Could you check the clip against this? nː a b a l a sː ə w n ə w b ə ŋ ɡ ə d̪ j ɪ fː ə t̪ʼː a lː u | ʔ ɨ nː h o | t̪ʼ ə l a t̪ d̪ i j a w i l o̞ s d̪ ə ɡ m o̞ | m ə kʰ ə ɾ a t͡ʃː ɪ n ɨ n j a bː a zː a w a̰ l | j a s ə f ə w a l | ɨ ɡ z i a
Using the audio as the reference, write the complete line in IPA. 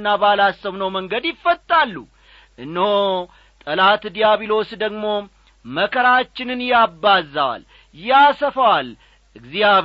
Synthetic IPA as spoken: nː a b a l a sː ə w n ə w m ə ŋ ɡ ə d̪ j ɪ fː ə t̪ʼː a lː u | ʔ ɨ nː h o | t̪ʼ ə l a t̪ d̪ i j a β i l o̞ s d̪ ə ɡ m o̞ | m ə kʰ ə ɾ a t͡ʃː ɪ n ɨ n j a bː a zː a w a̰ l | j a s ə f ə w a l | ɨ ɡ z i a